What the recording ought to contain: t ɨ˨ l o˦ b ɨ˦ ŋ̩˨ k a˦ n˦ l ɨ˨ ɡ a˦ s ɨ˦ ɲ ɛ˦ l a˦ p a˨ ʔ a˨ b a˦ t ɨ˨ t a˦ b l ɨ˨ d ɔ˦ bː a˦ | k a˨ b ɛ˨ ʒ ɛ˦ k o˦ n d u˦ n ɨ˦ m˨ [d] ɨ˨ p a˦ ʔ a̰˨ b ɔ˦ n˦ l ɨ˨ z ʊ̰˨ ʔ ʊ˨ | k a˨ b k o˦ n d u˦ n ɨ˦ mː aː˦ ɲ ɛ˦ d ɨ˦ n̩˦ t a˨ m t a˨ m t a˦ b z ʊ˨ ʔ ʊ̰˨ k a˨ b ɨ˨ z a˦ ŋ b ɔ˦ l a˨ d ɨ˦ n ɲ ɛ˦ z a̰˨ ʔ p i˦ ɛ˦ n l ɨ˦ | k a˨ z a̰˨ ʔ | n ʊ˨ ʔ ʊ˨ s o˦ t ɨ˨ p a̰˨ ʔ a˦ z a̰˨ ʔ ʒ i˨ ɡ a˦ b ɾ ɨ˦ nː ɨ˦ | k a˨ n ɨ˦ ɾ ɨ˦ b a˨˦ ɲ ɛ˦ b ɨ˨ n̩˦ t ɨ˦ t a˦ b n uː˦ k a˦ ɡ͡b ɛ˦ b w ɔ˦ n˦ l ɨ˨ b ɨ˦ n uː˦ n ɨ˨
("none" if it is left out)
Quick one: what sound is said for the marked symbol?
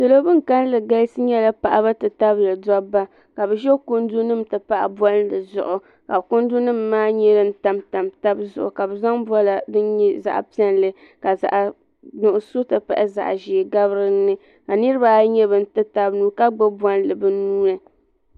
t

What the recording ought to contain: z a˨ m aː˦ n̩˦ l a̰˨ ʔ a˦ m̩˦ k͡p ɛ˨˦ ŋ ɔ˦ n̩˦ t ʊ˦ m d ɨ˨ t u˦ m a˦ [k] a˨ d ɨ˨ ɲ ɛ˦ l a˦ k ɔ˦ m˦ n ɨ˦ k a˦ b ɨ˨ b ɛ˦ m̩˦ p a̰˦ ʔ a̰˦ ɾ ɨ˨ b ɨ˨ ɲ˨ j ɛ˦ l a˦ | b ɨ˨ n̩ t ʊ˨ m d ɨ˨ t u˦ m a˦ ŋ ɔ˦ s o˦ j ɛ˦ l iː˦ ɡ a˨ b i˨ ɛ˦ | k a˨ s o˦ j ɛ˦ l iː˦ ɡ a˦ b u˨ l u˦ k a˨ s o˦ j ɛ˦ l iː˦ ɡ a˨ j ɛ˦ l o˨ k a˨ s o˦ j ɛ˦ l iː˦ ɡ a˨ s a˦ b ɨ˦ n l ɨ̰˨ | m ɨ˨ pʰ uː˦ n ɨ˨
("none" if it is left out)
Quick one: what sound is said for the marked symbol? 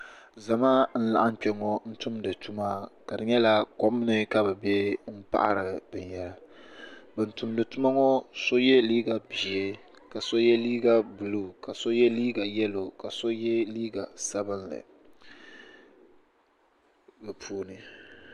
k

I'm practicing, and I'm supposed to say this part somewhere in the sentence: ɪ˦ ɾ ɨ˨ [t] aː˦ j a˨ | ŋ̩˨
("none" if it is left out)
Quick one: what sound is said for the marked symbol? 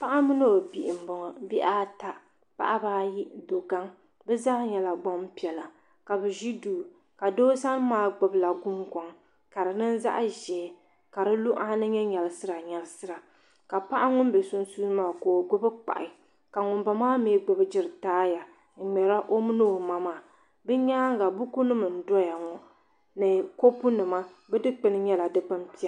t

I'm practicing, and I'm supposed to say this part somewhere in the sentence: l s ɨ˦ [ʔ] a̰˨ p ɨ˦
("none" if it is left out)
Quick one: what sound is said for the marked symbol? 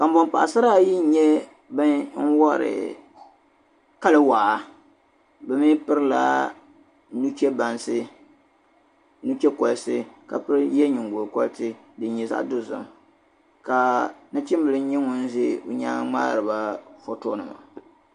k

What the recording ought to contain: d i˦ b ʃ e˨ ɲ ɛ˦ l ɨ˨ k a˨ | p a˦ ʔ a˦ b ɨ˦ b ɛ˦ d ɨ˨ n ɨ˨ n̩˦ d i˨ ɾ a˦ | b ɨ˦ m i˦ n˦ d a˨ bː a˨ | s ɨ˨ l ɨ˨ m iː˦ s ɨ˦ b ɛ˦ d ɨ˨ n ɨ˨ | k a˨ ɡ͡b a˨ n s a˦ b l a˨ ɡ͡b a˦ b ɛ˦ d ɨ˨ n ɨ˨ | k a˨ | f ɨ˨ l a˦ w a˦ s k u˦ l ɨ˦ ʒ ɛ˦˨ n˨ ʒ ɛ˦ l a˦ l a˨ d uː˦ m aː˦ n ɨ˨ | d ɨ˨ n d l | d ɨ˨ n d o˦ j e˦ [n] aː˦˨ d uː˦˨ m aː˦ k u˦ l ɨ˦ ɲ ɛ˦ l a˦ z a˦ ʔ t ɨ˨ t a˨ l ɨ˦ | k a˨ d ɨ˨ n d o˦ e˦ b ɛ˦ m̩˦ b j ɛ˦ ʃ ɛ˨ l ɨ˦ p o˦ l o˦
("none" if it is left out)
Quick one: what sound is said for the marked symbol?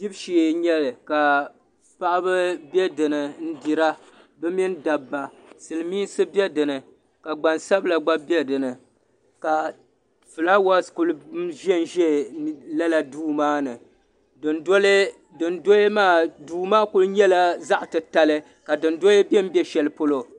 m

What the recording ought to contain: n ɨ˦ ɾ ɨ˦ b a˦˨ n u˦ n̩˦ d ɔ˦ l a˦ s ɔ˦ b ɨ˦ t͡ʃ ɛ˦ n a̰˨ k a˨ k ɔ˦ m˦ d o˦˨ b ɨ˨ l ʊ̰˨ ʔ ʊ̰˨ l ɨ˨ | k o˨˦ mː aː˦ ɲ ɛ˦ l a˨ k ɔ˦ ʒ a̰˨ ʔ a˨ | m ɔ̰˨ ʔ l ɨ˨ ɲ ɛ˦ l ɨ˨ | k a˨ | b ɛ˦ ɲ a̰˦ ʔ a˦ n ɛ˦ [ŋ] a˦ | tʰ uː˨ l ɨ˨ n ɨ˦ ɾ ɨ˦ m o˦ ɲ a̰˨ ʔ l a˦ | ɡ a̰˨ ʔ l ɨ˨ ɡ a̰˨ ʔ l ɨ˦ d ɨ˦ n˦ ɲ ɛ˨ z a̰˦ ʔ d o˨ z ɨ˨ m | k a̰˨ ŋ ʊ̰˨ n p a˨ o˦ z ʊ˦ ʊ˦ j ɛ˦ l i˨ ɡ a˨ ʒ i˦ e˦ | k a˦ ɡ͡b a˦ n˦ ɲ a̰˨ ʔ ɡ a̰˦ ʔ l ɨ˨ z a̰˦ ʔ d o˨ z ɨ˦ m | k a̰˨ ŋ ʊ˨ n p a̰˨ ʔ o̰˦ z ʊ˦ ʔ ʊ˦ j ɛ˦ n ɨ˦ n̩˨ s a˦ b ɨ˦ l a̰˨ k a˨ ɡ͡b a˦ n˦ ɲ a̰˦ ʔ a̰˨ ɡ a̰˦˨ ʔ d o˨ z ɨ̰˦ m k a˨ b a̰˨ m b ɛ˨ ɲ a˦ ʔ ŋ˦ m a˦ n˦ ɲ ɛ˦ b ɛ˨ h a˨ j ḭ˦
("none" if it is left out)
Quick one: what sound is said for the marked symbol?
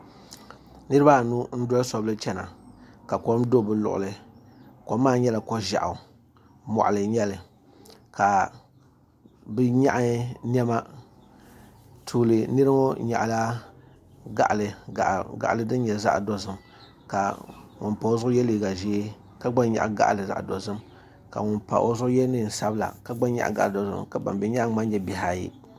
m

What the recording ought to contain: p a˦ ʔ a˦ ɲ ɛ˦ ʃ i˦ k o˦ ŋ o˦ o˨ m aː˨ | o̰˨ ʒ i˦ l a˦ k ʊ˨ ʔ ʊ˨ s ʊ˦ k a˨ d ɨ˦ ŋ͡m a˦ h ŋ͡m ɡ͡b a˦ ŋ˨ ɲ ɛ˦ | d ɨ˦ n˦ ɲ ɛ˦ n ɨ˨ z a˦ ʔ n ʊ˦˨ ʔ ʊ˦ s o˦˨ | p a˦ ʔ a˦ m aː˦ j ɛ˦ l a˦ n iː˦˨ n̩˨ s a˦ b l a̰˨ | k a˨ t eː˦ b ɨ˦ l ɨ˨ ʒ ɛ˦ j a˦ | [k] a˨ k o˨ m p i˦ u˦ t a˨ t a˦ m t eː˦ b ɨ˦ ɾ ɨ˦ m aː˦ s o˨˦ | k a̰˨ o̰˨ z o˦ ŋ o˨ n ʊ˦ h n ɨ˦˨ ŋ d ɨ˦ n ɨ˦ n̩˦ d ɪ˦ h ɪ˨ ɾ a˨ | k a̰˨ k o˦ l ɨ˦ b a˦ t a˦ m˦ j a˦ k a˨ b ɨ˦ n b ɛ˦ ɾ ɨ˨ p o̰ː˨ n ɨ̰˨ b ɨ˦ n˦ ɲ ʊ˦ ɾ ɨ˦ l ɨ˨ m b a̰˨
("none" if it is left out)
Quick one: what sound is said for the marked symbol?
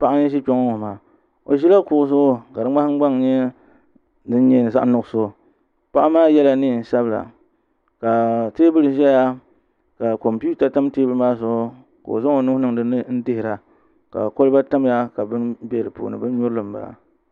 k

